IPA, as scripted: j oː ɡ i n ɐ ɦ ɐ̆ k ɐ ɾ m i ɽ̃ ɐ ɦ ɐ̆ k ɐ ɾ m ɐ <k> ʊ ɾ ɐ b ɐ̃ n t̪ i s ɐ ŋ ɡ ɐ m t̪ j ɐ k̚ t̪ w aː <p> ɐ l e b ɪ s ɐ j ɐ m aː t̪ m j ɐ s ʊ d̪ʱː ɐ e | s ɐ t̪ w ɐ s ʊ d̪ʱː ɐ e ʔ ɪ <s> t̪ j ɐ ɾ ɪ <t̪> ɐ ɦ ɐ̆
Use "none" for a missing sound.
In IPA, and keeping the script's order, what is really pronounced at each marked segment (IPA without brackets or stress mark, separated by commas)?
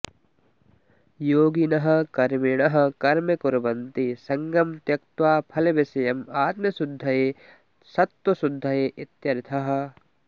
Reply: k, pʰ, none, t̪ʰ